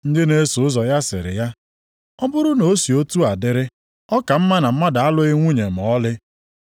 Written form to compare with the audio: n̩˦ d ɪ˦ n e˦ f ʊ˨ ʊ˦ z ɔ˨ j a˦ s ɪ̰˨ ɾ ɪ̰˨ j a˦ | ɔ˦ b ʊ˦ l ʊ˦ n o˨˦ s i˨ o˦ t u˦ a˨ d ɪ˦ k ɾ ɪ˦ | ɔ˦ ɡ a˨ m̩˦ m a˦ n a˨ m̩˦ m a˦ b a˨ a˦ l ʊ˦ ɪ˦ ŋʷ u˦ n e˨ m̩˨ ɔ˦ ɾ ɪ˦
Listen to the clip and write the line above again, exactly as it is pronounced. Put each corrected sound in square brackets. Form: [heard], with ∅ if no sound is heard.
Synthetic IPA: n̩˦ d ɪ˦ n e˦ [s] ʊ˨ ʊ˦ z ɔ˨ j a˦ s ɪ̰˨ ɾ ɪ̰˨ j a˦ | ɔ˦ b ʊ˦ [ɾ] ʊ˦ n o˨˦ s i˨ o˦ t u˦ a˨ d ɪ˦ [∅] ɾ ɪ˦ | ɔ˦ [k] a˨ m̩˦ m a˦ n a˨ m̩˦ m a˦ [d] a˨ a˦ l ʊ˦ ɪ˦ ŋʷ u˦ [ɲ] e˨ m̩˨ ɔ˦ [l] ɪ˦